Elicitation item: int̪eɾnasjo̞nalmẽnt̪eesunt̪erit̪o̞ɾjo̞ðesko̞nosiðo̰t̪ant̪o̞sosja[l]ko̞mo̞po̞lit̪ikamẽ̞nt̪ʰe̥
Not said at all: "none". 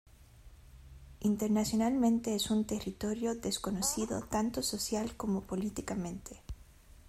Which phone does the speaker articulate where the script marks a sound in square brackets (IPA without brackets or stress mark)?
l